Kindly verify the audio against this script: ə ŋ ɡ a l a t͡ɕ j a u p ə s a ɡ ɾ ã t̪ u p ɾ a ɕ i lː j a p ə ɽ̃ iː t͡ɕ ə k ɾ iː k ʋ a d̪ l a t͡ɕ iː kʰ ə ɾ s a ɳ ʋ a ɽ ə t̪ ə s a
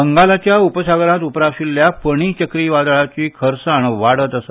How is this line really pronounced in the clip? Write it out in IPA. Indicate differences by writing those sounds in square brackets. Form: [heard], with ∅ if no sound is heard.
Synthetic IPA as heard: ə ŋ ɡ a l a t͡ɕ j a u p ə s a ɡ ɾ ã t̪ u p ɾ a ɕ i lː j a p ə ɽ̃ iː t͡ɕ ə k ɾ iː [∅] ʋ a d̪ [ɭ] a t͡ɕ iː kʰ ə ɾ s a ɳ ʋ a ɽ ə t̪ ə s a